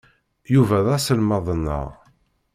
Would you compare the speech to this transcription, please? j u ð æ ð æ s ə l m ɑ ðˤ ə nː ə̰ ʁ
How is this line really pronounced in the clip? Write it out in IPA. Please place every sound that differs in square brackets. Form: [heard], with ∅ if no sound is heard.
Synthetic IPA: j u [v] æ ð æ s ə l m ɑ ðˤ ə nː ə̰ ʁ